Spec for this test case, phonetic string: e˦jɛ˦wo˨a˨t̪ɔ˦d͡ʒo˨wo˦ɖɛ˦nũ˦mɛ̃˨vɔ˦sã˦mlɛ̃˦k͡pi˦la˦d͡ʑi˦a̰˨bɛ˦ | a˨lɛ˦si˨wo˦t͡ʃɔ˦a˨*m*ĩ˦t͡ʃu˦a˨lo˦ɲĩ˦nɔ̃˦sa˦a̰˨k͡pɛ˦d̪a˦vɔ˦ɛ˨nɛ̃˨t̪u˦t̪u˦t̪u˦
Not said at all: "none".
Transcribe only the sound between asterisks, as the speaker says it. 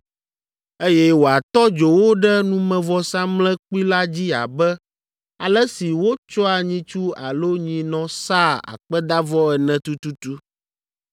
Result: ɲ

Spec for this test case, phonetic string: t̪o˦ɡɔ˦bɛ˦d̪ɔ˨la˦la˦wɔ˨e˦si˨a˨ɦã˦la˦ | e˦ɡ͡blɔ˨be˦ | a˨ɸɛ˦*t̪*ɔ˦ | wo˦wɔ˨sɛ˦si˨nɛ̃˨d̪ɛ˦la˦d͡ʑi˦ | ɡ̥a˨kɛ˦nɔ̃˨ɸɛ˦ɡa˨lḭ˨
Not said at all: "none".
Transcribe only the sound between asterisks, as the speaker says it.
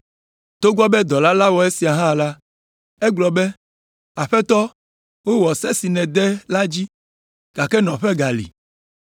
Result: t̪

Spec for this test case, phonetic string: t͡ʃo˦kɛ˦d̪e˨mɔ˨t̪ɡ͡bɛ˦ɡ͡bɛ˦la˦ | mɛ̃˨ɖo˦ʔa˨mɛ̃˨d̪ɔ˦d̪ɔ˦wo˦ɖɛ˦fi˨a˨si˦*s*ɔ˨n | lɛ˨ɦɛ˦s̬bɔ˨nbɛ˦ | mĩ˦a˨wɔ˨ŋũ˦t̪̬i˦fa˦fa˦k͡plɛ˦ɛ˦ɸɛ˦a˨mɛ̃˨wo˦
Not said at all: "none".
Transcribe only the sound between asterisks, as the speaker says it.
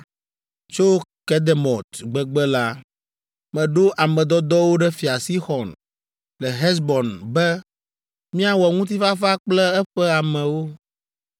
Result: x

